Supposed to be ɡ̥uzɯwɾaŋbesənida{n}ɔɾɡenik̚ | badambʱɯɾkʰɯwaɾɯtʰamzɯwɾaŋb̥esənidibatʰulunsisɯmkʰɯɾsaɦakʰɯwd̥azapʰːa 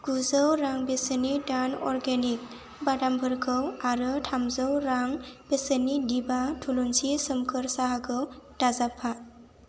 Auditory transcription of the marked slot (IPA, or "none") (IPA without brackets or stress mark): n